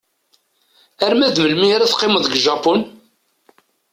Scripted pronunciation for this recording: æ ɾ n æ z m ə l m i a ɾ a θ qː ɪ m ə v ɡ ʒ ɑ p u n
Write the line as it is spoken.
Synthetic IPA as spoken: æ ɾ m æ ð m ə l m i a ɾ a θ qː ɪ m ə ð ɡ ʒ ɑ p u n